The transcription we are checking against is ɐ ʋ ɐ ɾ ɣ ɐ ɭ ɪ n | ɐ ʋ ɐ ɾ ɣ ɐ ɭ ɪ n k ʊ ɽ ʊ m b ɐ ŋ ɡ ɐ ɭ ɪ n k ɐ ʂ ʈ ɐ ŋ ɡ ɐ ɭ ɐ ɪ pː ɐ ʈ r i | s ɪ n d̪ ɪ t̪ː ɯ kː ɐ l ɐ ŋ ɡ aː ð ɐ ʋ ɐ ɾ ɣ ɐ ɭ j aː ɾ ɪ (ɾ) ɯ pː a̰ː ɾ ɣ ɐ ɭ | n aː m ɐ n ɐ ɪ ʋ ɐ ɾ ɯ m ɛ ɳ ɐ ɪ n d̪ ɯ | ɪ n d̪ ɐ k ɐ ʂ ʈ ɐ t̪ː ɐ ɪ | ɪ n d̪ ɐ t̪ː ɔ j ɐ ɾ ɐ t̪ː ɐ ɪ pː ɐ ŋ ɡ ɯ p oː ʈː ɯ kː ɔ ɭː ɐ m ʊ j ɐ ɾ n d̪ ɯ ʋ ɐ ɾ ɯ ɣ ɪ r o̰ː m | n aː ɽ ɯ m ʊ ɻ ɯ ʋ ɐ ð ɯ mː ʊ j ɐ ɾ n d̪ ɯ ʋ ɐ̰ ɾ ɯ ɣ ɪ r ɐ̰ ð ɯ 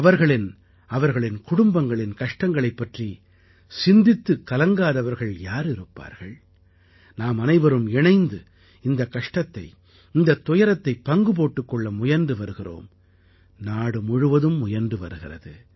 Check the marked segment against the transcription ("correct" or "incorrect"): correct